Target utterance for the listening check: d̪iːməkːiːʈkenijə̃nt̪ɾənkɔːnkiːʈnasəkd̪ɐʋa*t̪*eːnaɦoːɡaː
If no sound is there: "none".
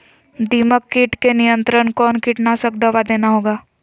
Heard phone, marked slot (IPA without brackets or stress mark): d̪